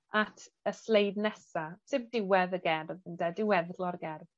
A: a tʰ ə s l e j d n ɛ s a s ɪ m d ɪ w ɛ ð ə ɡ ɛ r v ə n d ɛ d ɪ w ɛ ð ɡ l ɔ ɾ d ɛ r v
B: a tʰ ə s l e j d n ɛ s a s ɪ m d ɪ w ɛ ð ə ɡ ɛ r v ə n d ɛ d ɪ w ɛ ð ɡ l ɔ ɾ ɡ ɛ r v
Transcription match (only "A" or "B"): B